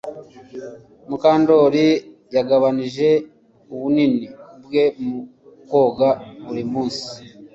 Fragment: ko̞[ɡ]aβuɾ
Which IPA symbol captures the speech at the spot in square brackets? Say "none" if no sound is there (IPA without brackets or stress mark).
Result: ɡ